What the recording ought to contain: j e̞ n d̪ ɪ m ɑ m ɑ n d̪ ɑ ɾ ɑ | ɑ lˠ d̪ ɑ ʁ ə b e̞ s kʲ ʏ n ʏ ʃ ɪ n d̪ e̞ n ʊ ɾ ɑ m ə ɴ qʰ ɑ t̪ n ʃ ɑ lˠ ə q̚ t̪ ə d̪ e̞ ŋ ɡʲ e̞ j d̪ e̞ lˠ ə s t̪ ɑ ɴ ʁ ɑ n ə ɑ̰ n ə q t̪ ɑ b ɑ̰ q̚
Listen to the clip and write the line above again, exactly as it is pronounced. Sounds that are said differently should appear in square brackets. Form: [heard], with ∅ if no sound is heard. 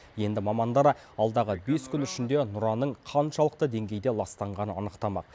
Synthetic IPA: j e̞ n d̪ ɪ m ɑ m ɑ n d̪ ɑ ɾ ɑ | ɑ lˠ d̪ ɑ ʁ ə b e̞ s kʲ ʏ n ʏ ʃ ɪ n d̪ e̞ n ʊ ɾ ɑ [n] ə ɴ qʰ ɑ [∅] n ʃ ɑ lˠ ə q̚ t̪ ə d̪ e̞ ŋ ɡʲ e̞ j d̪ e̞ lˠ [ɑ] s t̪ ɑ ɴ ʁ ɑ n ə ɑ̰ n ə q t̪ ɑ [m] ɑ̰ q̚